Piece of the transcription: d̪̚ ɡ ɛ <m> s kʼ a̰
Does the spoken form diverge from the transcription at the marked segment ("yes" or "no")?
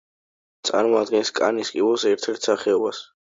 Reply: yes